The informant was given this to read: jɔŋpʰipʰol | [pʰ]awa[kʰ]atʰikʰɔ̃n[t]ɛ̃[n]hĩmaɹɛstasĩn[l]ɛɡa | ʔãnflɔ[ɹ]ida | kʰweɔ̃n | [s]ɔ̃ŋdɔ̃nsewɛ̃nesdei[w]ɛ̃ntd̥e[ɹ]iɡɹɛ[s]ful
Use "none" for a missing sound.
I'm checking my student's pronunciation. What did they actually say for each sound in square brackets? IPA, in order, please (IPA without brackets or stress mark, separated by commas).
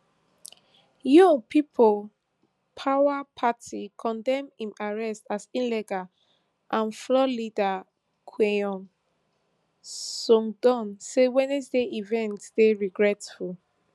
pʰ, pʰ, d, m, l, l, s, v, ɹ, t